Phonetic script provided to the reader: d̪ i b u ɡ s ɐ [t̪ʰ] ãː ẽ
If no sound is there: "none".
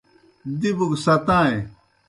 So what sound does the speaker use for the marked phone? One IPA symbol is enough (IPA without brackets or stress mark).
t̪